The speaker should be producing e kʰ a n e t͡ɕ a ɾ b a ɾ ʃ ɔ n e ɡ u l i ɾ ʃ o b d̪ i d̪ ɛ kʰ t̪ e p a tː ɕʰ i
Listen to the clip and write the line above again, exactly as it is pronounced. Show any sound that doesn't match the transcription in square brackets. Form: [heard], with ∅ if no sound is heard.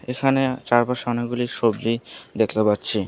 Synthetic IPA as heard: e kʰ a n e t͡ɕ a ɾ b a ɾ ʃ ɔ n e ɡ u l i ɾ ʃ o b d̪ i d̪ [e] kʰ t̪ e p a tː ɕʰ i

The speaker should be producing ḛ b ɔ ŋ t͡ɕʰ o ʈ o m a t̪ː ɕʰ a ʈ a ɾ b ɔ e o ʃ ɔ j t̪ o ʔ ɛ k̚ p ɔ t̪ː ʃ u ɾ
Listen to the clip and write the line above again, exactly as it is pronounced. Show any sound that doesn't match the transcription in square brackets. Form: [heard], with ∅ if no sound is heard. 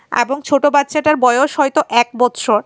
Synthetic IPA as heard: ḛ b [o] ŋ t͡ɕʰ o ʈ o [b] a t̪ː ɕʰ a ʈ a ɾ b ɔ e o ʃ ɔ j t̪ o ʔ ɛ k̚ [b] ɔ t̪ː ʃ [o] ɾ

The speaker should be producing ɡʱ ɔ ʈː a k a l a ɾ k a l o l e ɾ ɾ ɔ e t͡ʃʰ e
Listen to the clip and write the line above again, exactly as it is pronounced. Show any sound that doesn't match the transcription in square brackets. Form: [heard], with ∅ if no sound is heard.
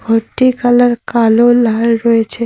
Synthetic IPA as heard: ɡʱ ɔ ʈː [i] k a l a ɾ k a l o l [a] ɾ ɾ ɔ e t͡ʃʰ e

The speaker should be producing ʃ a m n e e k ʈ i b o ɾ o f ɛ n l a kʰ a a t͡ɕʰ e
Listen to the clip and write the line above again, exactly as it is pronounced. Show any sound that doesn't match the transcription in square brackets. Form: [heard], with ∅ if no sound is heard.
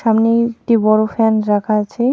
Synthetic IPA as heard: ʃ a m n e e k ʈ i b [ɔ] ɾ o f ɛ n [ɾ] a kʰ a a t͡ɕʰ e

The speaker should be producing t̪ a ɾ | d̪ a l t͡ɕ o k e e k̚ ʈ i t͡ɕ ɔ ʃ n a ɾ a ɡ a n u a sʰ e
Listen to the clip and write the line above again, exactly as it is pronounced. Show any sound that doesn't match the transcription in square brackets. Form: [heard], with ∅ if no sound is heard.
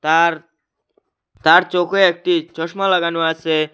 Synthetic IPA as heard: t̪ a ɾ | [t̪] a [ɾ] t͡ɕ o k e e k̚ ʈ i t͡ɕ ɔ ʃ [m] a [l] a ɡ a n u a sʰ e

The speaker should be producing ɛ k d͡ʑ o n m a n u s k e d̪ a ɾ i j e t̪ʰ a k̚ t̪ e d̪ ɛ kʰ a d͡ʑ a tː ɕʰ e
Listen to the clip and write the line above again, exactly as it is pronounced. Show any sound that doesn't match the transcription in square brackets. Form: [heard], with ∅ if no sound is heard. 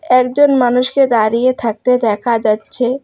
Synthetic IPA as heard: ɛ k d͡ʑ o n m a n u [ʃ] k e d̪ a ɾ i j e t̪ʰ a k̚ t̪ e d̪ ɛ kʰ a d͡ʑ a tː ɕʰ e

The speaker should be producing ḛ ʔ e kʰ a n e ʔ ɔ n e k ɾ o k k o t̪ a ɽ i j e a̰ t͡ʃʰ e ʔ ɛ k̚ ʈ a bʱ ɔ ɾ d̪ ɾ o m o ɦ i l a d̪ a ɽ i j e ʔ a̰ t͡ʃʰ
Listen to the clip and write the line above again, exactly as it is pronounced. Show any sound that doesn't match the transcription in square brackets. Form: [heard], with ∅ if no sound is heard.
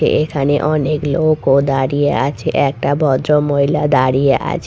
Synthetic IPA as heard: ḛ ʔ e kʰ a n e ʔ ɔ n e k [l] o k k o [d̪] a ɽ i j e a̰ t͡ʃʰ e ʔ ɛ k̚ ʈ a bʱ ɔ [∅] d̪ ɾ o m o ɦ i l a d̪ a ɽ i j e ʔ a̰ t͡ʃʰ

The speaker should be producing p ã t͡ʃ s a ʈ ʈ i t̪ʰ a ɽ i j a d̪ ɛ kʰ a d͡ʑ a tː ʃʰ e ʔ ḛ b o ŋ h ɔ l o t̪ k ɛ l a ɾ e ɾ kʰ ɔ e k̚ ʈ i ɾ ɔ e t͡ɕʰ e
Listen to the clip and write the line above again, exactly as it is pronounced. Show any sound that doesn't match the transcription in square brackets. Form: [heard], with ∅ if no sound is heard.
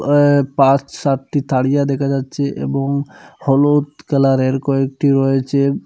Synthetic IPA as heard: p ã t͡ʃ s a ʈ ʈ i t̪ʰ a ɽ i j a d̪ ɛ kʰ a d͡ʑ a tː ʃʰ e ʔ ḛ b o ŋ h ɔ l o t̪ k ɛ l a ɾ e ɾ [k] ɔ e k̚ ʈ i ɾ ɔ e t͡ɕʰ e

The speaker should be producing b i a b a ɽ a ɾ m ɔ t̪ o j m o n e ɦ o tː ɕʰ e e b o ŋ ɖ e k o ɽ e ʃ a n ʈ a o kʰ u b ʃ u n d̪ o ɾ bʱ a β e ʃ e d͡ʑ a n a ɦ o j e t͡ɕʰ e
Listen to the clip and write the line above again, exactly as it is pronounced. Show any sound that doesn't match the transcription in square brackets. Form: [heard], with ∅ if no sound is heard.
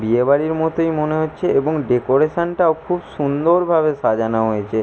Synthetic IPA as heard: b i [e] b a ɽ [i] ɾ m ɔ t̪ o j m o n e ɦ o tː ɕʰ e e b o ŋ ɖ e k o [ɾ] e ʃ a n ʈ a o kʰ u b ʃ u n d̪ o ɾ bʱ a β e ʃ [a] d͡ʑ a n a ɦ o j e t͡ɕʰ e

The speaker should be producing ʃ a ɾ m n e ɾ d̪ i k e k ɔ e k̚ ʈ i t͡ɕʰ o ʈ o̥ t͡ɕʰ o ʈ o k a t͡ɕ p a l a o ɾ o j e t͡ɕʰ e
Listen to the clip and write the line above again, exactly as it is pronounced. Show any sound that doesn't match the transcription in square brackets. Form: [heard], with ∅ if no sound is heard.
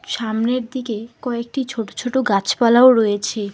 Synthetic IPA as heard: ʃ a [∅] m n e ɾ d̪ i k e k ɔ e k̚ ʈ i t͡ɕʰ o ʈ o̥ t͡ɕʰ o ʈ o [ɡ] a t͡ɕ p a l a o ɾ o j e t͡ɕʰ e

